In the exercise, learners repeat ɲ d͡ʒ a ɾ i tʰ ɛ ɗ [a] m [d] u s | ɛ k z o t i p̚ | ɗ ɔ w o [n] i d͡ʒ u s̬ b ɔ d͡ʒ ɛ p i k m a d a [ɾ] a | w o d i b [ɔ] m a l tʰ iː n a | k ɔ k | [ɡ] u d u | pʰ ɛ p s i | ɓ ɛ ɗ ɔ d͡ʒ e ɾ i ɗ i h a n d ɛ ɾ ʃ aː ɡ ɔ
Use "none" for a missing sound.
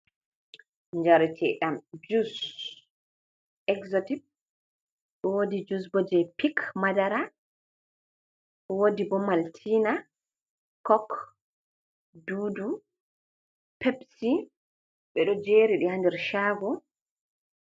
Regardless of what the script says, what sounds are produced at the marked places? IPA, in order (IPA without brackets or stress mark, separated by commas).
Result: a, d͡ʒ, d, ɾ, ɔ, d